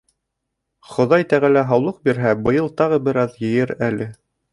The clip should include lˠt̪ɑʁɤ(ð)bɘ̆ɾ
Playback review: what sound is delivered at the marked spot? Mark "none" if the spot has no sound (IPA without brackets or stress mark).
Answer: none